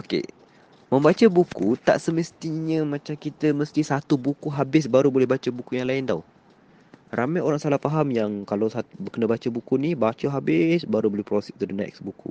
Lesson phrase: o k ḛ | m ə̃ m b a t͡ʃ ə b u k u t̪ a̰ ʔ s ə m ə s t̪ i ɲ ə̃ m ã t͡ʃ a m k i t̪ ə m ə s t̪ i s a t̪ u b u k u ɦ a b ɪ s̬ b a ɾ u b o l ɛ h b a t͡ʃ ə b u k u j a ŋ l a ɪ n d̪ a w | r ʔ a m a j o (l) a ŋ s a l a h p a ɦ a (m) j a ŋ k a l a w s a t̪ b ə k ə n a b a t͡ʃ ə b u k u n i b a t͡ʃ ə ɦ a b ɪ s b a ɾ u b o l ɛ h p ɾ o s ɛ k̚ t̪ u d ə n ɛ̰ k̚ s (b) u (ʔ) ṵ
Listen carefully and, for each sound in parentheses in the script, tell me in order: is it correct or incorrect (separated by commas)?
incorrect, correct, correct, incorrect